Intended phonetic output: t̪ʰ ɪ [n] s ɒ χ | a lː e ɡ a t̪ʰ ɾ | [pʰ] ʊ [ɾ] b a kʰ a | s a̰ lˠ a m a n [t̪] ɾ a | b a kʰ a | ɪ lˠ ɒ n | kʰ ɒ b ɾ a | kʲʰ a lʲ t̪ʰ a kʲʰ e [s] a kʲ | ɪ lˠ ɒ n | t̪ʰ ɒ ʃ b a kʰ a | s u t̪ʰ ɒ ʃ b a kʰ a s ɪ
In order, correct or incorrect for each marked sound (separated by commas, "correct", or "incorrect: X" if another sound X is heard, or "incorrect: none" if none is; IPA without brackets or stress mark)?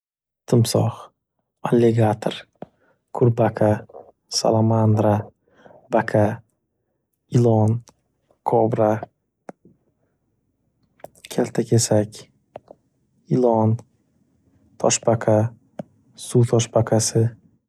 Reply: incorrect: m, incorrect: kʰ, correct, incorrect: d̪, correct